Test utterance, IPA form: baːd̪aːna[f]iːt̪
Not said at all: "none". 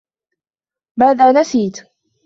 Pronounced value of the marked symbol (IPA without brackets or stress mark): s